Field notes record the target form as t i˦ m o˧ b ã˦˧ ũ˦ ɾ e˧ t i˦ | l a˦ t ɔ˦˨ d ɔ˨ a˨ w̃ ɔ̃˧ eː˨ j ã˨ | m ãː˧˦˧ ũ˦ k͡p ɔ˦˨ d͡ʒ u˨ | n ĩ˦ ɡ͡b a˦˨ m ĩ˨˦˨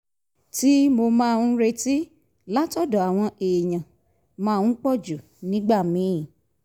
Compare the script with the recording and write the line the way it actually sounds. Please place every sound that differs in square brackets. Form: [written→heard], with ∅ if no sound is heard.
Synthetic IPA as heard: t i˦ m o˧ [b→m] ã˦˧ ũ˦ ɾ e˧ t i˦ | l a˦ t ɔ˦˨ d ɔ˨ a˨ w̃ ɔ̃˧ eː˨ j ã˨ | m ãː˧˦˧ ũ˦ k͡p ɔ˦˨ d͡ʒ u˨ | n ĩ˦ ɡ͡b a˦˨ m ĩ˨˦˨